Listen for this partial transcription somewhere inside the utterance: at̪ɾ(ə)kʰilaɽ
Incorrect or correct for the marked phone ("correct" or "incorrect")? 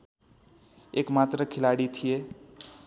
correct